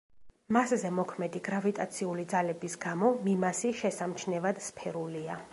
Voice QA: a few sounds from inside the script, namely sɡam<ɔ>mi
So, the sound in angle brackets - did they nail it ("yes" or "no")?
yes